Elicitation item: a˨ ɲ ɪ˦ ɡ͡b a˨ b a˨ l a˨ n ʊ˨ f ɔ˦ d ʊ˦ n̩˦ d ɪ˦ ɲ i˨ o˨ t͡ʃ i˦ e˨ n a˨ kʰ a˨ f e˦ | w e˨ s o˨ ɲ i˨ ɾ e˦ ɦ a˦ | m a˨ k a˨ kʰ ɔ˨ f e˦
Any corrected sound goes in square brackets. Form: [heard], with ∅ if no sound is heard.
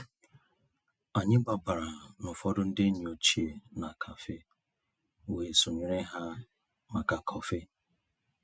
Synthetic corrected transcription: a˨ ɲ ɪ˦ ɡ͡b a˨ b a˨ [ɾ] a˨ n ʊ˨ f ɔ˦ d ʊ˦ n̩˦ d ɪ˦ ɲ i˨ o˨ t͡ʃ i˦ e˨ n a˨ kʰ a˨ f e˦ | w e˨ s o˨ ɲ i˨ ɾ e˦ ɦ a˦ | m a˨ k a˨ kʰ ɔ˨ f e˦